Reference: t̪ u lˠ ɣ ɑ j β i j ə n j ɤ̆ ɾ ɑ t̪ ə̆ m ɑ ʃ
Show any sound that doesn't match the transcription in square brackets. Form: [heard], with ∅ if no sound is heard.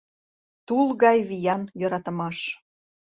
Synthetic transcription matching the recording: t̪ u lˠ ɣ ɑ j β i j [ɑ] n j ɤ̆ ɾ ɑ t̪ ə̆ m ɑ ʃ